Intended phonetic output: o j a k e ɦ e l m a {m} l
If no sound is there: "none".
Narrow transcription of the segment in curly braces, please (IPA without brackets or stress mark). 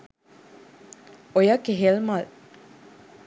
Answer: none